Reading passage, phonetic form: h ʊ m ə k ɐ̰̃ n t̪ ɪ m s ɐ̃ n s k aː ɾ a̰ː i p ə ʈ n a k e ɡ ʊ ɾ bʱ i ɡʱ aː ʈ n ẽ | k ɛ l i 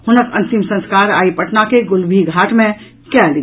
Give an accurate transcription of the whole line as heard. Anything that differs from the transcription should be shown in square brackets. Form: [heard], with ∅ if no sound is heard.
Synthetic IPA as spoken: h ʊ [n] ə k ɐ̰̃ n t̪ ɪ m s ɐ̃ n s k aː ɾ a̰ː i p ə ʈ n a k e ɡ ʊ [l] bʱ i ɡʱ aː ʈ [m] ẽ | k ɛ l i